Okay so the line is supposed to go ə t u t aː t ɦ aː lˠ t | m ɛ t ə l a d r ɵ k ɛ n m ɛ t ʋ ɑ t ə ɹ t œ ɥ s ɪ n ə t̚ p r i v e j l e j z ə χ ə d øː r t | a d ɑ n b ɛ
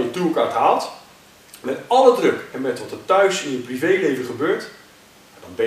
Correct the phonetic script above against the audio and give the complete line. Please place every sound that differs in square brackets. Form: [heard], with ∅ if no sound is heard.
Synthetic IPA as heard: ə t u [k] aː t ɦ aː lˠ t | m ɛ t [ɑ] l [ə] d r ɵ k ɛ n m ɛ t ʋ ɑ t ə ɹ t œ ɥ s ɪ n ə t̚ p r i v e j l e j [v] ə χ ə [b] øː [ɹ] t | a d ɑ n b ɛ